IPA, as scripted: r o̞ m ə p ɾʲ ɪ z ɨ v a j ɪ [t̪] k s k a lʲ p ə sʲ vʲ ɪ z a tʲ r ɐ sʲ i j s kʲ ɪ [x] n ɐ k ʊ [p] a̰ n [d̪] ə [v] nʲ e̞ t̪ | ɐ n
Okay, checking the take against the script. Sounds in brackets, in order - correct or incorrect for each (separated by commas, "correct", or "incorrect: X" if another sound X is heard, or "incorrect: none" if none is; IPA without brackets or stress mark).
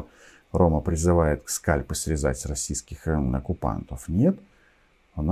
correct, correct, correct, incorrect: t̪, incorrect: f